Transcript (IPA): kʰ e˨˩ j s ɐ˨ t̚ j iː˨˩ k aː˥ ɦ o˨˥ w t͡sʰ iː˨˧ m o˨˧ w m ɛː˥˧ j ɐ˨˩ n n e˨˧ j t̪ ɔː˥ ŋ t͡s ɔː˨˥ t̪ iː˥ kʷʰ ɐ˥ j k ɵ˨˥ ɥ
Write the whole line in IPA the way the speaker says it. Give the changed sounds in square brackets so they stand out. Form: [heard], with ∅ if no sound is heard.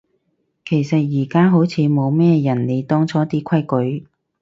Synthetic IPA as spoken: kʰ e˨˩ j s ɐ˨ t̚ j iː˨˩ k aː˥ ɦ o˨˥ w t͡sʰ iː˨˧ m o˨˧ w m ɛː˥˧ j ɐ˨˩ n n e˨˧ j t̪ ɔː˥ ŋ [t͡sʰ] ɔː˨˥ t̪ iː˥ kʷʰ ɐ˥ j k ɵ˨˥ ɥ

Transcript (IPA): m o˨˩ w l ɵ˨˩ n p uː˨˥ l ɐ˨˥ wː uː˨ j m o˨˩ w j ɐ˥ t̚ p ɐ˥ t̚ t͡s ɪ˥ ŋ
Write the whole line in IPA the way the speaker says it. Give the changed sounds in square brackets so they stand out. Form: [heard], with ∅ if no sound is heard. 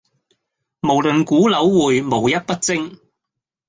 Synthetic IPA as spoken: m o˨˩ w l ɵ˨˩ n [k] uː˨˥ l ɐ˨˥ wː uː˨ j m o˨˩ w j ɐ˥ t̚ p ɐ˥ t̚ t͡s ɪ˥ ŋ

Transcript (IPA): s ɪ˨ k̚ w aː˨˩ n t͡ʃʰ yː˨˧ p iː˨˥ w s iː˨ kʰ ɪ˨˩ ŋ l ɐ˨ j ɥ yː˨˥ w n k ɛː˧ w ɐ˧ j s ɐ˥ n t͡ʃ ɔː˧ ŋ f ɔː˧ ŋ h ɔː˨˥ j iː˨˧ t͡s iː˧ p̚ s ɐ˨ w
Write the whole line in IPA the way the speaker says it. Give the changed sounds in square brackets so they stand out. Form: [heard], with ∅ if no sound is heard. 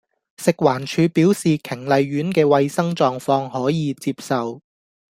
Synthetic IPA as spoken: s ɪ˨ k̚ w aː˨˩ n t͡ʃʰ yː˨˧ p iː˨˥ w s iː˨ kʰ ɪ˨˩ ŋ l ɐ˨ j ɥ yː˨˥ [∅] n k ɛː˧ w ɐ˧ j s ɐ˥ [ŋ] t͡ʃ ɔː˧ ŋ f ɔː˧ ŋ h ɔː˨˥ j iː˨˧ t͡s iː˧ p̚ s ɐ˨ w

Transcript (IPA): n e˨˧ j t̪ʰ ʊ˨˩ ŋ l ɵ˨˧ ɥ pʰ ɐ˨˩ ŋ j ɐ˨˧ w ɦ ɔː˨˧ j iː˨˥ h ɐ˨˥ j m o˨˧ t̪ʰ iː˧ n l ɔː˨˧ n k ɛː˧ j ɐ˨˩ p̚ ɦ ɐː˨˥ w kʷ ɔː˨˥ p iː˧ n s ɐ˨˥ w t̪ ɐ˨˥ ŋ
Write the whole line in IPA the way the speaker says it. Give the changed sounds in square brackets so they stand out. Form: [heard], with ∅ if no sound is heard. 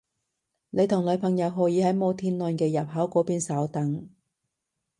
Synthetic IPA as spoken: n e˨˧ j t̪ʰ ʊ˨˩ ŋ l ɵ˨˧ ɥ pʰ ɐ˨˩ ŋ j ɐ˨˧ w ɦ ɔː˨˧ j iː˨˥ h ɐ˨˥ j m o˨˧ t̪ʰ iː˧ n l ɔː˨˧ n k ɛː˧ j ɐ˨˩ p̚ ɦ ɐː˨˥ w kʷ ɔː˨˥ p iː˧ n s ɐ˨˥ w t̪ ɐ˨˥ ŋ

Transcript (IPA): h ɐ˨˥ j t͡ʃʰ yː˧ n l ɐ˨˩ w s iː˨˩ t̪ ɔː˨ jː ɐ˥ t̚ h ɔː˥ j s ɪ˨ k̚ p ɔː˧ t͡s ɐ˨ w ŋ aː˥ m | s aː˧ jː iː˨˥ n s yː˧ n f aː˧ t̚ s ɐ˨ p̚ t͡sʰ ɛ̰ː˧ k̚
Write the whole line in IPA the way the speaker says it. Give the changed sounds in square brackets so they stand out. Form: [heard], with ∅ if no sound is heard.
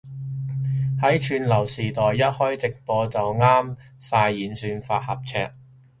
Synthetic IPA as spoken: h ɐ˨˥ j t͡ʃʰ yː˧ n l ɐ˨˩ w s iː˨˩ t̪ ɔː˨ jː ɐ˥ t̚ h ɔː˥ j [t͡s] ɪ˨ k̚ p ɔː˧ t͡s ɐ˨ w ŋ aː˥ m | s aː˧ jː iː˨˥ n s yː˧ n f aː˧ t̚ [h] ɐ˨ p̚ t͡sʰ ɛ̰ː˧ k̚

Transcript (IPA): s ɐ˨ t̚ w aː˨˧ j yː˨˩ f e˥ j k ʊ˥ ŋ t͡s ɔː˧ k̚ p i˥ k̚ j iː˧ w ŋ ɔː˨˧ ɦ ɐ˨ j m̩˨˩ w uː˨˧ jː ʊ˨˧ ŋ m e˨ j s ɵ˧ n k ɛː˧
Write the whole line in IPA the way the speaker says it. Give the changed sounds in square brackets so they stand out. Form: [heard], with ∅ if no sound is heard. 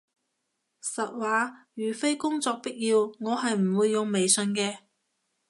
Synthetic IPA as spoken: s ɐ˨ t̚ w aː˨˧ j yː˨˩ f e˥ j k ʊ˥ ŋ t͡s ɔː˧ k̚ p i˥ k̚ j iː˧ w ŋ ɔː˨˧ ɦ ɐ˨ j m̩˨˩ w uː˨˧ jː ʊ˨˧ ŋ m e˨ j s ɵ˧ n k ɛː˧

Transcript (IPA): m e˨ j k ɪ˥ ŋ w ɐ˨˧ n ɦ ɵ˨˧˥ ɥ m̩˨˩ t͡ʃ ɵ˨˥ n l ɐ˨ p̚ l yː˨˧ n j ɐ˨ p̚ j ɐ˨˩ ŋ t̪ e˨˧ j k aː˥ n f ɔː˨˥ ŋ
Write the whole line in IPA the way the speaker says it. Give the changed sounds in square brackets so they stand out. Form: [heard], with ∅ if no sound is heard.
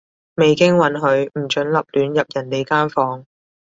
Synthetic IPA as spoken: m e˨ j k ɪ˥ ŋ w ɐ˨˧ n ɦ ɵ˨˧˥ ɥ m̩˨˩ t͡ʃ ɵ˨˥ n l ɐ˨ p̚ l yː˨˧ n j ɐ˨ p̚ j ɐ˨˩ [n] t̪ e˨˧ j k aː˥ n f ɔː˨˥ ŋ

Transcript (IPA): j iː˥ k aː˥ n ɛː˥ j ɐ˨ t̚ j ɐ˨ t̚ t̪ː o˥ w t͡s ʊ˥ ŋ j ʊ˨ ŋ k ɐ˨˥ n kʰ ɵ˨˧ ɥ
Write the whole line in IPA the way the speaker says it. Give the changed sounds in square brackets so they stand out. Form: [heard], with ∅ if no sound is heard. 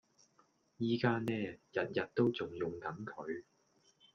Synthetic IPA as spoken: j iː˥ k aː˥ n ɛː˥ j ɐ˨ t̚ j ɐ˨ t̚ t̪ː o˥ w t͡s [ʊ˨] ŋ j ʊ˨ ŋ k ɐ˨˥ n kʰ ɵ˨˧ ɥ

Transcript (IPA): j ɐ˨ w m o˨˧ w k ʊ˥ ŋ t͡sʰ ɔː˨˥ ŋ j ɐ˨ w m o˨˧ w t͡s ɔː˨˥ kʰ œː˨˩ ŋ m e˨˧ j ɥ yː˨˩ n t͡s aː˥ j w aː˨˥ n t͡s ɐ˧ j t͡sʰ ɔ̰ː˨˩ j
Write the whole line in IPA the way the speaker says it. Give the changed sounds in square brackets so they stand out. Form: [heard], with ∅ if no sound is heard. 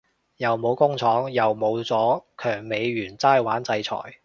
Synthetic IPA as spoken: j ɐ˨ w m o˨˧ w k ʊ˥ ŋ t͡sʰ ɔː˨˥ ŋ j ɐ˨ w m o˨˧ w t͡s ɔː˨˥ kʰ œː˨˩ ŋ m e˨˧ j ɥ yː˨˩ n t͡s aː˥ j w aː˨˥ n t͡s ɐ˧ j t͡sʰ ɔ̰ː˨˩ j

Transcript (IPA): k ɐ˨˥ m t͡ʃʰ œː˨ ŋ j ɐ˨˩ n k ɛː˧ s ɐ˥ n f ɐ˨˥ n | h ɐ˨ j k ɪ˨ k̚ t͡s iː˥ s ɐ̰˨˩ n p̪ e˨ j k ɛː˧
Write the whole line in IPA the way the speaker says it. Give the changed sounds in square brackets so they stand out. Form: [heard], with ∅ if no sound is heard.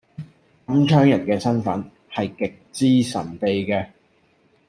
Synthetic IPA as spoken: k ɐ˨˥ m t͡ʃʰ [œː˥] ŋ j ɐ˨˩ n k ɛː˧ s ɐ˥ n f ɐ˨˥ n | h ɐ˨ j k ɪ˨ k̚ t͡s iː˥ s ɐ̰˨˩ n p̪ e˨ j k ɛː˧

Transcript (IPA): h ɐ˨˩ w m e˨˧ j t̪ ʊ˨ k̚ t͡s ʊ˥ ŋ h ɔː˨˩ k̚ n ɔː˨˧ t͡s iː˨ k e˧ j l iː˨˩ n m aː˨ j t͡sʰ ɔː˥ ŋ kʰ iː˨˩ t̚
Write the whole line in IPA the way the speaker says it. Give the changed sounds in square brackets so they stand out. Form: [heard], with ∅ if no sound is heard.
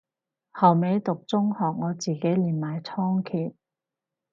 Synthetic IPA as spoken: h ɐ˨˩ w m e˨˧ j t̪ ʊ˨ k̚ t͡s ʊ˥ ŋ h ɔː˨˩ k̚ [ŋ] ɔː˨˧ t͡s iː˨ k [e˨˥] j l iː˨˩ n m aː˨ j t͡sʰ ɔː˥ ŋ kʰ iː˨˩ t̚

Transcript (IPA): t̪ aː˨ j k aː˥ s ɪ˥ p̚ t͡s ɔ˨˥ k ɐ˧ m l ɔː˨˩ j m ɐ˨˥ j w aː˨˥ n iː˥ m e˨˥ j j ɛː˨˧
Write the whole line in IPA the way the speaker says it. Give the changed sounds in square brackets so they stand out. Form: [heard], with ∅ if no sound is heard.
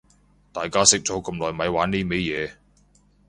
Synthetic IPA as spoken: t̪ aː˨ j k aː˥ s ɪ˥ [k̚] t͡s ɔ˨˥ k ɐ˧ m l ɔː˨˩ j m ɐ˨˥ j w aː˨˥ n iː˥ m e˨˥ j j ɛː˨˧

